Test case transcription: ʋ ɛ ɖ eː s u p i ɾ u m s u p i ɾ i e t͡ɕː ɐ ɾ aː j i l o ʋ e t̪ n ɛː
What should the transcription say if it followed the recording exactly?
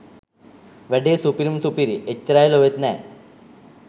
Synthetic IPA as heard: ʋ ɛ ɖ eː s u p i ɾ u m s u p i ɾ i e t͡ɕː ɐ ɾ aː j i l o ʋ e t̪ n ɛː